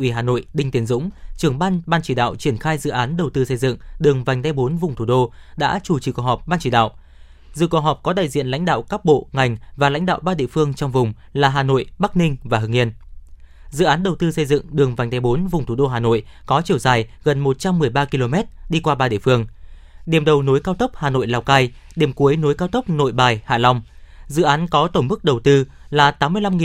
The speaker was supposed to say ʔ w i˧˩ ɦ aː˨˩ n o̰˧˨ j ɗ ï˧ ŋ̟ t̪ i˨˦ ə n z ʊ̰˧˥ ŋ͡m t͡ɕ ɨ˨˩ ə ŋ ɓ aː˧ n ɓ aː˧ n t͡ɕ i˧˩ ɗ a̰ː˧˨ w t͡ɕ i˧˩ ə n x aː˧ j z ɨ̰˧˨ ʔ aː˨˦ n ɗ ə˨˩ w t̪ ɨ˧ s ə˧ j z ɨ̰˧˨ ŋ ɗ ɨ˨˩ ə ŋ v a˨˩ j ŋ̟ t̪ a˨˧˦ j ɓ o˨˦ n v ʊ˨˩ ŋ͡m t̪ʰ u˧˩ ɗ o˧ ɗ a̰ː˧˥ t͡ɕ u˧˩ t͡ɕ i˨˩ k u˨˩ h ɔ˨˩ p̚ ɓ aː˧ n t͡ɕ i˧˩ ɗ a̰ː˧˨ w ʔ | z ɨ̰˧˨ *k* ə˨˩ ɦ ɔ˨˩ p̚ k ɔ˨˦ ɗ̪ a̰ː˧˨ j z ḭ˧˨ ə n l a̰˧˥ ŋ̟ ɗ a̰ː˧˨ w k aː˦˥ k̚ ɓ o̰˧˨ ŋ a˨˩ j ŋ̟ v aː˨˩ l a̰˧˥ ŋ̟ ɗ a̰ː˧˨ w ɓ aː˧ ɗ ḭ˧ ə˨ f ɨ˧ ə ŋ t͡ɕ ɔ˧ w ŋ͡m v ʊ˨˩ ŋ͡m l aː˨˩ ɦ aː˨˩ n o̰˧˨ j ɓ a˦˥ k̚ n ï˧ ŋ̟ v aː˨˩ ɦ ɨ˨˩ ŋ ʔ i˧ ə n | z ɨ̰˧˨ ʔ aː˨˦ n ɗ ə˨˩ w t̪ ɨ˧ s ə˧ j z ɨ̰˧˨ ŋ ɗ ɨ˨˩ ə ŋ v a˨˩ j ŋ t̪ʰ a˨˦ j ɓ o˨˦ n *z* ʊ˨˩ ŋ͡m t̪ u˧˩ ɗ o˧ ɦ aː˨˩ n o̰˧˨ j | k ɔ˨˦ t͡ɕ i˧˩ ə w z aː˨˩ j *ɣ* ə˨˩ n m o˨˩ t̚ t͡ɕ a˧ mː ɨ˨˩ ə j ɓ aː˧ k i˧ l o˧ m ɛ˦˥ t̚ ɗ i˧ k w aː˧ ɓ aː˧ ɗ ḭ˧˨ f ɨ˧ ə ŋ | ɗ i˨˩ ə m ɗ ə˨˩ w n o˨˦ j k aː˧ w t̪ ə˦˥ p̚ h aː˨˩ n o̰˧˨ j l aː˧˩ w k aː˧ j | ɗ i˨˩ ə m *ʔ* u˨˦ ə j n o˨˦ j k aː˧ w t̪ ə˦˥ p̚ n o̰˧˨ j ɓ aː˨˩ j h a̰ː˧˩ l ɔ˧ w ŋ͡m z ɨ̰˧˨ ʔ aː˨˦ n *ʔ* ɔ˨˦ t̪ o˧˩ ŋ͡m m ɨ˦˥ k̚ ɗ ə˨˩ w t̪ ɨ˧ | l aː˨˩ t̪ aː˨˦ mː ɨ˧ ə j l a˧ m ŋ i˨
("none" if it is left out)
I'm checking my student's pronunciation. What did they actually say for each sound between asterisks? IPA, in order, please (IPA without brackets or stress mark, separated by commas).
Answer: k, v, ɣ, k, k